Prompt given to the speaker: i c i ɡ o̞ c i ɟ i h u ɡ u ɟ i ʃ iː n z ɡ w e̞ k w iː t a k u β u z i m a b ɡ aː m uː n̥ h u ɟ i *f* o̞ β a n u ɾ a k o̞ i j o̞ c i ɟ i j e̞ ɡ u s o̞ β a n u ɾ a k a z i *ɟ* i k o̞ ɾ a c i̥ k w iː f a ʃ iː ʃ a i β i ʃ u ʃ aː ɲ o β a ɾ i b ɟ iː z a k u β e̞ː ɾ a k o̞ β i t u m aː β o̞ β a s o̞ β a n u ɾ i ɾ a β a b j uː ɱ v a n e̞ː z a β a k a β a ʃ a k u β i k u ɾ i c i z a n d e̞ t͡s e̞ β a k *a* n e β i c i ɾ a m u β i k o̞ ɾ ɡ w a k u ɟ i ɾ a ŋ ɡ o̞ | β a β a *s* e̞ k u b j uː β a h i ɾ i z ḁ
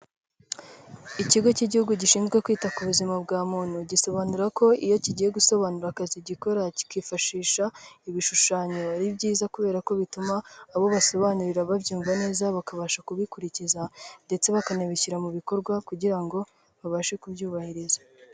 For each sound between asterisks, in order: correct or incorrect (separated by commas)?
incorrect, correct, correct, incorrect